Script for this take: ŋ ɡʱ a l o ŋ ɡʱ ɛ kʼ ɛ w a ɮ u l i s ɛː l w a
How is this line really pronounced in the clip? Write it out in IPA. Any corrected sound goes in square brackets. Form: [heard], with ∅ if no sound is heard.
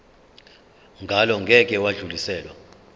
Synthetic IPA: ŋ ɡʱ a l [ɔ] ŋ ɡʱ ɛ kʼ ɛ w a ɮ u l i s ɛː l w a